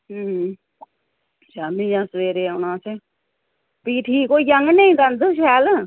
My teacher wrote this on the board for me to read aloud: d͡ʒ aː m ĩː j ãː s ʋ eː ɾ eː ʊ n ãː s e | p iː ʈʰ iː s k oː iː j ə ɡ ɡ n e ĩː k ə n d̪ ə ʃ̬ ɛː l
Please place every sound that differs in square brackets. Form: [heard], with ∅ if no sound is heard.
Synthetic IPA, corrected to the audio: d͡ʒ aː m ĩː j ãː s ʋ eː ɾ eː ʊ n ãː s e | p iː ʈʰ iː [∅] k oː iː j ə [ŋ] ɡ n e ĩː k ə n d̪ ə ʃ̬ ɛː l